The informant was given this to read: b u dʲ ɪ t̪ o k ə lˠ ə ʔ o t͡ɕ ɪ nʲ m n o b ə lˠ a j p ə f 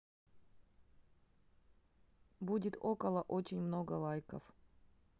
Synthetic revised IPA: b u dʲ ɪ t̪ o k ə lˠ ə ʔ o t͡ɕ ɪ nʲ m n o ɡ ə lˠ a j k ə f